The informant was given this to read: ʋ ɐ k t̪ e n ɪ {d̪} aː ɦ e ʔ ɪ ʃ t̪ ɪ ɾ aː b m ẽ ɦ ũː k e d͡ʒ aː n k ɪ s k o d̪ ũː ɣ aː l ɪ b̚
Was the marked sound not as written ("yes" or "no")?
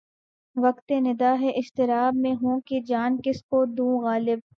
no